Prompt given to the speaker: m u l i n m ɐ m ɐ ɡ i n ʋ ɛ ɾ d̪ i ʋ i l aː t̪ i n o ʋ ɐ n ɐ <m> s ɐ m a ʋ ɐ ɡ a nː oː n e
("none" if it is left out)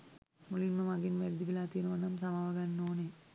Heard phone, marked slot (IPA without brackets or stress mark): m